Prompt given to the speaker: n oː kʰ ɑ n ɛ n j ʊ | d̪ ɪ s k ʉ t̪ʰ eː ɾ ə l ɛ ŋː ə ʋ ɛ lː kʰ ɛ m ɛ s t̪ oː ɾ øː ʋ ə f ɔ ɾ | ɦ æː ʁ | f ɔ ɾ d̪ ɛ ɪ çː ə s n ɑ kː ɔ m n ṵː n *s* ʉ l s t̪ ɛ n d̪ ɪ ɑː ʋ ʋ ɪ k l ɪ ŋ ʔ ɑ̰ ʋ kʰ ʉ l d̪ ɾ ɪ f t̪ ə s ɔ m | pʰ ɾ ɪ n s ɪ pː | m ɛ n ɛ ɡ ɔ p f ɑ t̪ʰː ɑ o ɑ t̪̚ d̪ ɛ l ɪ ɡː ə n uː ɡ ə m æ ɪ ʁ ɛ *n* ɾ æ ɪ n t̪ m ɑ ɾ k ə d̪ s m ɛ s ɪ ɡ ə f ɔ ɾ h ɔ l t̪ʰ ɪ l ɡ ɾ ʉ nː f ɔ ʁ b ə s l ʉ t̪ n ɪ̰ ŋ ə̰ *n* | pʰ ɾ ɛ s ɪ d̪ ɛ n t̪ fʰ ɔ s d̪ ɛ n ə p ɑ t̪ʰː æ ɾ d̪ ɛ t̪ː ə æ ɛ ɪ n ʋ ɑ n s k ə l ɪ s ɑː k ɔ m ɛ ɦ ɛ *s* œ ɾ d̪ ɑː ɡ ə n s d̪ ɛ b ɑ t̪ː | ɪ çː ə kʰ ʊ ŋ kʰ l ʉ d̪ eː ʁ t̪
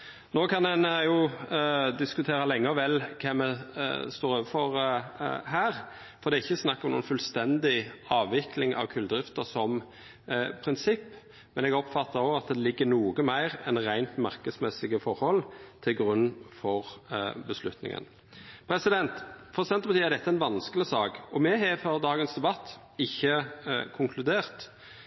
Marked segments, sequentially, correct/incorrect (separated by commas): incorrect, correct, correct, incorrect